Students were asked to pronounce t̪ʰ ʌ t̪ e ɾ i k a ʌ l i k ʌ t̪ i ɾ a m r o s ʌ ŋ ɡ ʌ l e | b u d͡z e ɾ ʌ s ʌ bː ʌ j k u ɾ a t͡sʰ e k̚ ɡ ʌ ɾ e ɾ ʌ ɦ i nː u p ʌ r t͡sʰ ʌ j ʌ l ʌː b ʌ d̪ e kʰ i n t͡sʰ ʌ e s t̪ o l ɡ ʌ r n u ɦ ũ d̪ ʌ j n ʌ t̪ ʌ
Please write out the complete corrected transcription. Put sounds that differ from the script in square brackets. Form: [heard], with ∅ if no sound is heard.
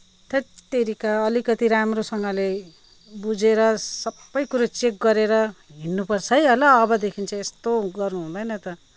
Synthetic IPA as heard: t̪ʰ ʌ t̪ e ɾ i k a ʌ l i k ʌ t̪ i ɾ a m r o s ʌ ŋ ɡ ʌ l e | b u d͡z e ɾ ʌ s ʌ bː ʌ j k u ɾ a [t͡s] e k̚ ɡ ʌ ɾ e ɾ ʌ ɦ i nː u p ʌ r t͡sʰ ʌ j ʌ l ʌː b ʌ d̪ e kʰ i n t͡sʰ ʌ e s t̪ o [∅] ɡ ʌ r n u ɦ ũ d̪ ʌ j n ʌ t̪ ʌ